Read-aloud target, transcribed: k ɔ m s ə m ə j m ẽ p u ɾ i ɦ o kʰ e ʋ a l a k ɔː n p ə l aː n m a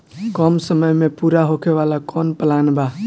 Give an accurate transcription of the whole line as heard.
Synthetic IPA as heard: k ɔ m s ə m ə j m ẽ p u ɾ a ɦ o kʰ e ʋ a l a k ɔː n p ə l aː n b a

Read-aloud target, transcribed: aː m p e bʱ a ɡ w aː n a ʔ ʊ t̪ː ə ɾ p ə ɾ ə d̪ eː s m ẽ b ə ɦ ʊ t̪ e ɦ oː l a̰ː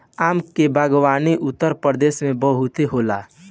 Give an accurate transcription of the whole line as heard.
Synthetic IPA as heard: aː m k e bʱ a ɡ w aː n i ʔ ʊ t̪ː ə ɾ p ə ɾ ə d̪ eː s m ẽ b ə ɦ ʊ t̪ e ɦ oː l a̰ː

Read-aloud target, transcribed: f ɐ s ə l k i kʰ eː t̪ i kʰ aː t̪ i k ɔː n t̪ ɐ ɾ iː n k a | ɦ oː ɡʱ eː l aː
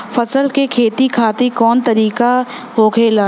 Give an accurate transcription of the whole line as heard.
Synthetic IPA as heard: f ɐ s ə l k e kʰ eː t̪ i kʰ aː t̪ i k ɔː n t̪ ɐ ɾ iː k a | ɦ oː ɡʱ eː l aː

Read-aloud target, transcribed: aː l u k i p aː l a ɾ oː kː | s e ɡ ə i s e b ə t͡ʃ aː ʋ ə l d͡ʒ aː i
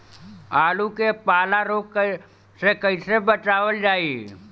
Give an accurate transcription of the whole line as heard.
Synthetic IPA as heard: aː l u k e p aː l a ɾ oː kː | s e k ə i s e b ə t͡ʃ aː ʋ ə l d͡ʒ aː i

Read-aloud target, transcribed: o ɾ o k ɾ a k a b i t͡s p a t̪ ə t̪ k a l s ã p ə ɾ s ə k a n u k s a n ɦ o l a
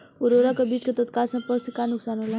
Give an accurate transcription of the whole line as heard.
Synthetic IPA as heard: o ɾ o ɾ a k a b i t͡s k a t̪ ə t̪ k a l s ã p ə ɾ s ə k a n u k s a n ɦ o l a

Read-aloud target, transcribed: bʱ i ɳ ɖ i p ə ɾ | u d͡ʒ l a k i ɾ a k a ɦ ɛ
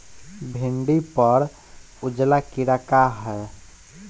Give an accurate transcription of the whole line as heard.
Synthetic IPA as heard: bʱ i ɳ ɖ i p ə ɾ | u d͡ʒ l a k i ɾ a k a ɦ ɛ

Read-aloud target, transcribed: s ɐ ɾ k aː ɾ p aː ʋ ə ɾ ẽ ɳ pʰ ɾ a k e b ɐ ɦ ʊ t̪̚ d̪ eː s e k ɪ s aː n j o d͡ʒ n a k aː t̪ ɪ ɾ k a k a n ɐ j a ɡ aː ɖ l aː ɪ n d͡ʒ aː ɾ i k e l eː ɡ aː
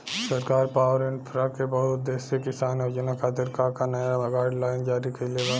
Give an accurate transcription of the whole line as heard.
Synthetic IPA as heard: s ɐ ɾ k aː ɾ p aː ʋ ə ɾ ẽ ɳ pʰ ɾ a k e b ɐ ɦ ʊ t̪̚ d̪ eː s e k ɪ s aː n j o d͡ʒ n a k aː t̪ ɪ ɾ k a k a n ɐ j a ɡ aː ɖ l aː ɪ n d͡ʒ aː ɾ i k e l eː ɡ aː

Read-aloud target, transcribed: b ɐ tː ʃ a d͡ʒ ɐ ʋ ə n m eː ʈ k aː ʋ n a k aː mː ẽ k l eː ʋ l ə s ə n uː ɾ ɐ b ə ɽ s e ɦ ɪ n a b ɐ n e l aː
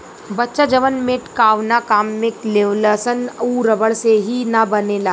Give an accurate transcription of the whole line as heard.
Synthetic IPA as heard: b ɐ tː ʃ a d͡ʒ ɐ ʋ ə n m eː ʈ k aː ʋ n a k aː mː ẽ k l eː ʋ l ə s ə n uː ɾ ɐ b ə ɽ s e ɦ i n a b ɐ n e l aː

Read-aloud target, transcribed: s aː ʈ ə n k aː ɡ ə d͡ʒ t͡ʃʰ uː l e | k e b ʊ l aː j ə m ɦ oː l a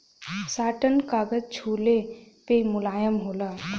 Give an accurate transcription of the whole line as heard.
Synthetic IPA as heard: s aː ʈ ə n k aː ɡ ə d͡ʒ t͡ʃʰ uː l e | p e m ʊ l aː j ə m ɦ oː l a

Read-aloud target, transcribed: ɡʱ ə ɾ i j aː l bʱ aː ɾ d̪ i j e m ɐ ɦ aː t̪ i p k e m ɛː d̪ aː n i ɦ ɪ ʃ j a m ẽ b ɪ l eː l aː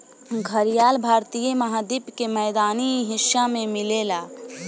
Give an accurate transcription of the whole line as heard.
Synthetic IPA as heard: ɡʱ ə ɾ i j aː l bʱ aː ɾ t̪ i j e m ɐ ɦ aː d̪ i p k e m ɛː d̪ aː n i ɦ ɪ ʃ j a m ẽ m ɪ l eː l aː

